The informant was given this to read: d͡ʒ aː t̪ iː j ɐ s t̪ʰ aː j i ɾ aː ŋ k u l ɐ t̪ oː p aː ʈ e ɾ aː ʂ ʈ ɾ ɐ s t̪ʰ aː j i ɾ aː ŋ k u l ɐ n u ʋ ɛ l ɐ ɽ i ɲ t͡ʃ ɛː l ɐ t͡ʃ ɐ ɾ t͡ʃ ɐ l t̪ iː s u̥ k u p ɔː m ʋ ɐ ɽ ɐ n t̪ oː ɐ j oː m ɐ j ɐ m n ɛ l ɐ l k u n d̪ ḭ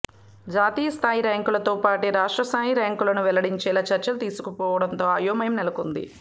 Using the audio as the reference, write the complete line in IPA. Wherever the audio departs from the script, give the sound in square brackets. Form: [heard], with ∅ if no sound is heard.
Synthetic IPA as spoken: d͡ʒ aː t̪ iː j ɐ s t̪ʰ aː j i ɾ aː ŋ k u l ɐ t̪ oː p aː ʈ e ɾ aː ʂ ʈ ɾ ɐ s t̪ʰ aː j i ɾ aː ŋ k u l ɐ n u ʋ ɛ l ɐ ɽ i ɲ t͡ʃ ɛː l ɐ t͡ʃ ɐ ɾ t͡ʃ ɐ l t̪ iː s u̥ k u p ɔː [∅] ʋ ɐ ɽ ɐ n t̪ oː ɐ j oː m ɐ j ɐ m n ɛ l ɐ [∅] k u n d̪ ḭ